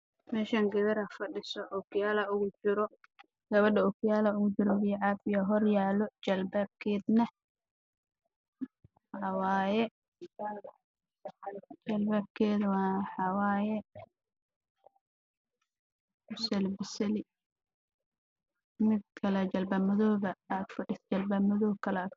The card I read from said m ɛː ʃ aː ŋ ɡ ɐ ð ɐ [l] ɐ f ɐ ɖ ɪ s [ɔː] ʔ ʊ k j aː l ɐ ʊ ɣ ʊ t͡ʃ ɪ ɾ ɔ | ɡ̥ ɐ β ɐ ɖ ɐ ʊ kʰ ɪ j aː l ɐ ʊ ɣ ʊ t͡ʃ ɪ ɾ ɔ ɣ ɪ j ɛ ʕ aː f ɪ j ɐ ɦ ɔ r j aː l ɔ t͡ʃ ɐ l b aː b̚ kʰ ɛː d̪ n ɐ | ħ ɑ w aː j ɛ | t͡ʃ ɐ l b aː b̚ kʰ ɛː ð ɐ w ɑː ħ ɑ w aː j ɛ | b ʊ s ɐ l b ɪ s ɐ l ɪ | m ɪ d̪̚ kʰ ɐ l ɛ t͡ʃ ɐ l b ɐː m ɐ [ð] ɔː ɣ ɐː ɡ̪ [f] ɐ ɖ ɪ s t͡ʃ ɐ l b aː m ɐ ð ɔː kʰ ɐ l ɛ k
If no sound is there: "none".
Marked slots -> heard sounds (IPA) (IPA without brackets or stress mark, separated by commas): ɾ, ɔ, ð, f